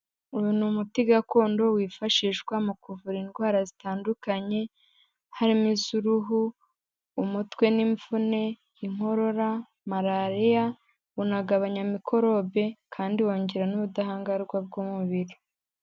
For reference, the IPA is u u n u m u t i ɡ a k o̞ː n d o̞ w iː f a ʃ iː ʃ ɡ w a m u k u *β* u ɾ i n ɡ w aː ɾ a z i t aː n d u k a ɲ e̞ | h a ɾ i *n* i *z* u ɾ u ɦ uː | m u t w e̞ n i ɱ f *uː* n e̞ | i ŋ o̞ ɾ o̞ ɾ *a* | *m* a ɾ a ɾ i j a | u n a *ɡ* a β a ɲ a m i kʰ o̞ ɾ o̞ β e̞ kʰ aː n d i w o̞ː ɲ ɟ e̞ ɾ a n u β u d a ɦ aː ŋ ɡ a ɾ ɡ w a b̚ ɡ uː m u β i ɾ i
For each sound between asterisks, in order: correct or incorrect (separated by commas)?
incorrect, incorrect, correct, incorrect, correct, correct, correct